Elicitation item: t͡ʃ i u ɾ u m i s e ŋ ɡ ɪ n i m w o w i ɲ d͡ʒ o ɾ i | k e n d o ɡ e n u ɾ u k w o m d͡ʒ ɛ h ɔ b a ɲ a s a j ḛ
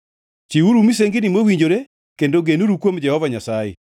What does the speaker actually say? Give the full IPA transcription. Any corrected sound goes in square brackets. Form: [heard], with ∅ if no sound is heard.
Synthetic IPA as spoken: t͡ʃ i u ɾ u m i s e ŋ ɡ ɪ n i m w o w i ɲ d͡ʒ o ɾ [e] | k e n d o ɡ e n u ɾ u k w o m d͡ʒ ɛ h ɔ [v] a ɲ a s a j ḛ